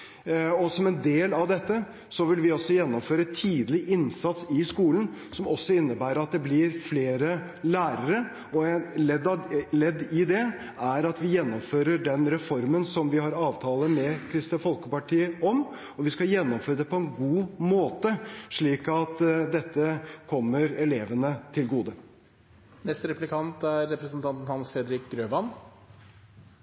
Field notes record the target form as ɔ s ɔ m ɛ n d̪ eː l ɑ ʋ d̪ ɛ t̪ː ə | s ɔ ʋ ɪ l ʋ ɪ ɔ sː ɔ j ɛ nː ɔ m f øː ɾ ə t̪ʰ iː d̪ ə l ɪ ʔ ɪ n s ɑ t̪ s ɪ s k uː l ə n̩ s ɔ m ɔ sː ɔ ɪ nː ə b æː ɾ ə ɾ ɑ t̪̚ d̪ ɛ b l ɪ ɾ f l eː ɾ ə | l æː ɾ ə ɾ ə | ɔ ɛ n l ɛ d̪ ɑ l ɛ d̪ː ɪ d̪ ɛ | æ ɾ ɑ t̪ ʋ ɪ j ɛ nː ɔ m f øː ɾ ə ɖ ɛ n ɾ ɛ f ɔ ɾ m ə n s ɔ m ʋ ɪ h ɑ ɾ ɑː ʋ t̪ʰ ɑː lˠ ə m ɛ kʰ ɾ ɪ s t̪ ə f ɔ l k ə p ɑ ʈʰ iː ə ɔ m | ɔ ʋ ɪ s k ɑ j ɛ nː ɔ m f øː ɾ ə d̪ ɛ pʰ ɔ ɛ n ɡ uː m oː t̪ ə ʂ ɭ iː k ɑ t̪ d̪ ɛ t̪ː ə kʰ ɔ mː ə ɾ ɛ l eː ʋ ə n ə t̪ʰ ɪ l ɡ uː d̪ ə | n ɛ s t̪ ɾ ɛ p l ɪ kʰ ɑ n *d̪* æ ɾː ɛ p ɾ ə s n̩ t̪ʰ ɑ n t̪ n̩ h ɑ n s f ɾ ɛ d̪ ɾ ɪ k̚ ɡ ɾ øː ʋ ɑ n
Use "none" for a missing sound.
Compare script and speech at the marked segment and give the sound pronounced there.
t̪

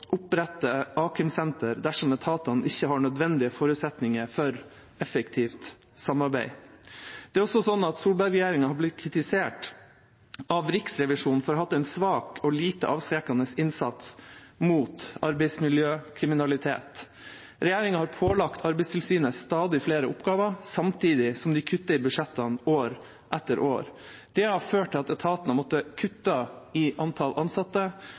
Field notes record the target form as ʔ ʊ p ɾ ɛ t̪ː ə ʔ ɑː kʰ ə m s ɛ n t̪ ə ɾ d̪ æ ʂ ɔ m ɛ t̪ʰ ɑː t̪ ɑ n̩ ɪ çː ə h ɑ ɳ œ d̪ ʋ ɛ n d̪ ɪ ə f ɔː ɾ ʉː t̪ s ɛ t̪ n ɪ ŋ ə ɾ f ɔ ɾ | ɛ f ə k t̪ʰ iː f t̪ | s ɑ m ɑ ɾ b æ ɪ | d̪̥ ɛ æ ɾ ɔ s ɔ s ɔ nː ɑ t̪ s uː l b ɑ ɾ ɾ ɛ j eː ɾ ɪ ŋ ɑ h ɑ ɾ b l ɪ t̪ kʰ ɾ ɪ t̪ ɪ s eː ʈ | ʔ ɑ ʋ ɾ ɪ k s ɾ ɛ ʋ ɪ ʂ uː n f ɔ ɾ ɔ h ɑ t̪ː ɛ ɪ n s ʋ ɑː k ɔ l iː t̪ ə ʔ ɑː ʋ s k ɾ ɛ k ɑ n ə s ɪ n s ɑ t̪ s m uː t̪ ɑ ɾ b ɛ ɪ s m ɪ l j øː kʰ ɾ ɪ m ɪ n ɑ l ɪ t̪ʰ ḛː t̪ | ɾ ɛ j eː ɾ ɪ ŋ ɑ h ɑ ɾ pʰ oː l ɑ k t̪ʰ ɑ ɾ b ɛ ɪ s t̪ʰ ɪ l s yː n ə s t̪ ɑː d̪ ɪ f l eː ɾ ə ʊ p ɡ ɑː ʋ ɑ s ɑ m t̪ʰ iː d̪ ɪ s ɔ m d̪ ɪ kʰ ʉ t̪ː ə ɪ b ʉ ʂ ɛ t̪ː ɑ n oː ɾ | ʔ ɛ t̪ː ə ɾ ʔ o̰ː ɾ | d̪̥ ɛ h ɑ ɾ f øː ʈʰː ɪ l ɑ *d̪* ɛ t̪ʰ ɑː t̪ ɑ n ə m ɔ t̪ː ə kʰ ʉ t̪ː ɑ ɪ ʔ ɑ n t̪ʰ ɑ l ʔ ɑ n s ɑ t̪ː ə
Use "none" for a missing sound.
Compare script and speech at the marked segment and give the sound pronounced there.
t̪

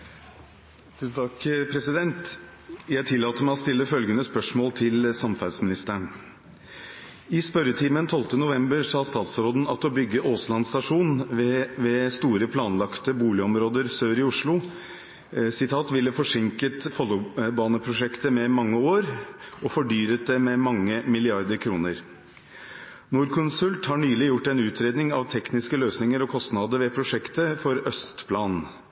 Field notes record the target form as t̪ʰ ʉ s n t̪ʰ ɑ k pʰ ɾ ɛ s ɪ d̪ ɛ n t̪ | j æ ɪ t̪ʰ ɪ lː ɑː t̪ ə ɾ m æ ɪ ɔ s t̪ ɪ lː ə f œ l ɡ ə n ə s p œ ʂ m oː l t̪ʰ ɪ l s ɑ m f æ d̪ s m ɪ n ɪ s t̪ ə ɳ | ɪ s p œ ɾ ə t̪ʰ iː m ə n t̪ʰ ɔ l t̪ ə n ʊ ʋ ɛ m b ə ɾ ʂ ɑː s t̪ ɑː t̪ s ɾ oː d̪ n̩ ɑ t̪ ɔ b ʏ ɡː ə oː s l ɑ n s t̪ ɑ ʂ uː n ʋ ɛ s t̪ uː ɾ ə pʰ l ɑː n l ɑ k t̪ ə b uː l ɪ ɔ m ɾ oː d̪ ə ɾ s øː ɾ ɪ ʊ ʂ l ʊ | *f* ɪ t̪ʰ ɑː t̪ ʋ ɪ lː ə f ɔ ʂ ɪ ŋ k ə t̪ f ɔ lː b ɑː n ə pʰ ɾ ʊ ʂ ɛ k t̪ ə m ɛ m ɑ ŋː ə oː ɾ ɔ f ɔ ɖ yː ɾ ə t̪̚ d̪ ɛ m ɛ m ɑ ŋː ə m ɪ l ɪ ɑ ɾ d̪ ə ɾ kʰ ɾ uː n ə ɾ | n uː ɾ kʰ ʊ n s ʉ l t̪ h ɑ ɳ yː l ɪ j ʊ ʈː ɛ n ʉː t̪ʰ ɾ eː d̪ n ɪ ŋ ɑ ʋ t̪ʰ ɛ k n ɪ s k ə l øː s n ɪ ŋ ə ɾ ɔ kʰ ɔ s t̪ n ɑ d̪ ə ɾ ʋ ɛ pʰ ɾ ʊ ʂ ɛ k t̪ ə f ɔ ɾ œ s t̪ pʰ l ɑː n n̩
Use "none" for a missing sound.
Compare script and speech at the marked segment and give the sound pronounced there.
s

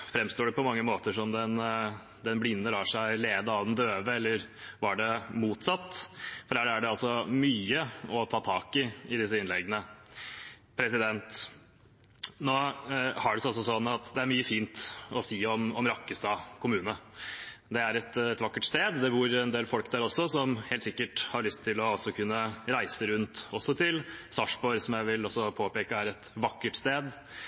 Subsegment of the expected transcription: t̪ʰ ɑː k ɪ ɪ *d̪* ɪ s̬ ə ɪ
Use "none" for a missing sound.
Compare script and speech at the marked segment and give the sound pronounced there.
d̪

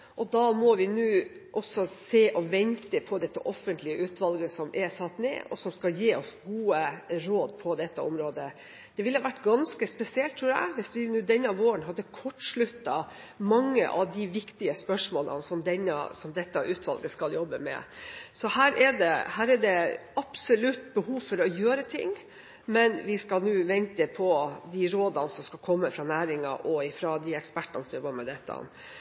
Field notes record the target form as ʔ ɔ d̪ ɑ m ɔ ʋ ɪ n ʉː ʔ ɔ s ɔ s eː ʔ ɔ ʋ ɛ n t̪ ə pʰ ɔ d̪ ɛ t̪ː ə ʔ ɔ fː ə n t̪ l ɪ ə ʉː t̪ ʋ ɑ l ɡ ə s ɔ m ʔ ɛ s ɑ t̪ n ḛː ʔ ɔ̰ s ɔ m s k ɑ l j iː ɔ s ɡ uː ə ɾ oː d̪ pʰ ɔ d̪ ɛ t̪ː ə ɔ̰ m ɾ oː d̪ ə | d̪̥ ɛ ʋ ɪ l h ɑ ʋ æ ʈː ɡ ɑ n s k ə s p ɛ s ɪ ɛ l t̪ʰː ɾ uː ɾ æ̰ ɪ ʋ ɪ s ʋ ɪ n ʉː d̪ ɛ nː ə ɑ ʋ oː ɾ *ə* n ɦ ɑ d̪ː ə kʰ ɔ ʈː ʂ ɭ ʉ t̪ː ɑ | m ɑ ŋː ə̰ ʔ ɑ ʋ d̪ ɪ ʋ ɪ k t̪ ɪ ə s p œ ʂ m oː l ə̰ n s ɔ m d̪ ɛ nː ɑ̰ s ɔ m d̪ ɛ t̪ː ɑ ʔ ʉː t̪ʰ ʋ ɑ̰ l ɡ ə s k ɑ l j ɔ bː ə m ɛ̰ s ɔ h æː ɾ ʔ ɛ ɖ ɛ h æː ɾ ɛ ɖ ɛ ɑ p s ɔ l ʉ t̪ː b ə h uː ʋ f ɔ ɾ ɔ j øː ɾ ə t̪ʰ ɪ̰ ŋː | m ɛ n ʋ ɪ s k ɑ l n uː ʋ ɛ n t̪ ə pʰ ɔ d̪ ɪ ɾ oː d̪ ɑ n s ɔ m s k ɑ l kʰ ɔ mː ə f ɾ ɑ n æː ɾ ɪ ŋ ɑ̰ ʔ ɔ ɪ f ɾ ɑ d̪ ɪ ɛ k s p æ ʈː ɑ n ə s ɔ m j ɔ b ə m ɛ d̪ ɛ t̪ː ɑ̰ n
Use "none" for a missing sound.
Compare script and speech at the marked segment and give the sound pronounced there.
ə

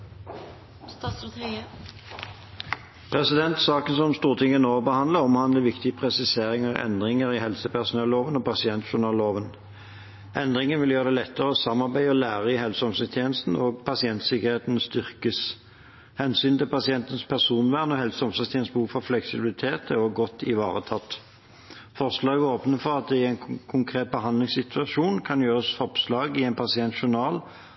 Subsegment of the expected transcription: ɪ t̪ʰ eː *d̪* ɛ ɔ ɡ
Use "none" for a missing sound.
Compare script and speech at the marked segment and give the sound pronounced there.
t̪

